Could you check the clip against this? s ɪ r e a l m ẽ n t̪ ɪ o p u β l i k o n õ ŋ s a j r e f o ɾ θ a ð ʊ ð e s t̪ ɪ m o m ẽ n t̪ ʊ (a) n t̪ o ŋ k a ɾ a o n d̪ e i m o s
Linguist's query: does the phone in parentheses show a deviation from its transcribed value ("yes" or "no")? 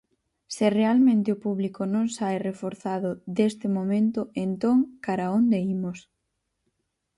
yes